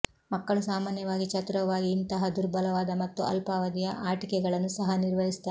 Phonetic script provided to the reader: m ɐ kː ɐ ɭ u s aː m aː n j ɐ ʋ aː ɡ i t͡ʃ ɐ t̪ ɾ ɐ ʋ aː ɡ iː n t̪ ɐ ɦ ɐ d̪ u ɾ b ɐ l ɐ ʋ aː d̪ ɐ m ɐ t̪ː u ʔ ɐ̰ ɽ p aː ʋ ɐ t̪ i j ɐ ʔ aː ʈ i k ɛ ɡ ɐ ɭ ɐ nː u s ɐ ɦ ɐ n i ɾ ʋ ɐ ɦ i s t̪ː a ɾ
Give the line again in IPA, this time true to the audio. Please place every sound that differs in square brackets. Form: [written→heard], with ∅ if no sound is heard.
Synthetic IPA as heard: m ɐ kː ɐ ɭ u s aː m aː n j ɐ ʋ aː ɡ i t͡ʃ ɐ t̪ ɾ ɐ ʋ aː ɡ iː n t̪ ɐ ɦ ɐ d̪ u ɾ b ɐ l ɐ ʋ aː d̪ ɐ m ɐ t̪ː u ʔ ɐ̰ [ɽ→l] p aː ʋ ɐ [t̪→d̪] i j ɐ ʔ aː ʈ i k ɛ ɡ ɐ ɭ ɐ nː u s ɐ ɦ ɐ n i ɾ ʋ ɐ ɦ i s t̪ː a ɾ